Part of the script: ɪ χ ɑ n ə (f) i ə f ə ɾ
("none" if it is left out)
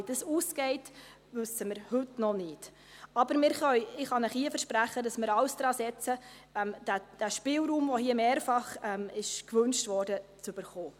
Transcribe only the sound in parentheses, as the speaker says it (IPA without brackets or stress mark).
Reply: χ